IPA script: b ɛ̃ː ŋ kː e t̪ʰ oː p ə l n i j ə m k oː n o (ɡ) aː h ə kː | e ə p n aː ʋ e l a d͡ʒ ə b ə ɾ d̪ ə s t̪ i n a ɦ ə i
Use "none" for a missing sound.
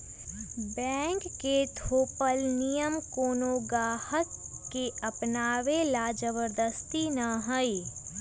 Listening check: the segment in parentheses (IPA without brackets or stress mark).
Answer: ɡ